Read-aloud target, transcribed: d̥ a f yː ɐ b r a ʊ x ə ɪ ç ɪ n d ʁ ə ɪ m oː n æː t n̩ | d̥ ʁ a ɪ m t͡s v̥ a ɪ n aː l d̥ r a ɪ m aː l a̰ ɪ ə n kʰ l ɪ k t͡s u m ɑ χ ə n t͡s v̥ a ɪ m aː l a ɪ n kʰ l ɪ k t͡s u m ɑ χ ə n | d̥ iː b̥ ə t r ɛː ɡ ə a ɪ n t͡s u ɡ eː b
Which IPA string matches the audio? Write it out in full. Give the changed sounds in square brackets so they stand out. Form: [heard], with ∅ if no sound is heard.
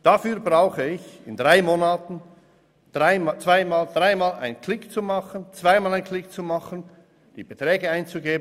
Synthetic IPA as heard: d̥ a f yː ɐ b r a ʊ x ə ɪ ç ɪ n d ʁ [a] ɪ m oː n [aː] t n̩ | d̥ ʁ a ɪ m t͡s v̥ a ɪ [m] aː l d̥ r a ɪ m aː l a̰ ɪ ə n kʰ l ɪ k t͡s u m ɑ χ ə n t͡s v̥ a ɪ m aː l a ɪ n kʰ l ɪ k t͡s u m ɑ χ ə n | d̥ iː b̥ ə t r ɛː ɡ ə a ɪ n t͡s u ɡ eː b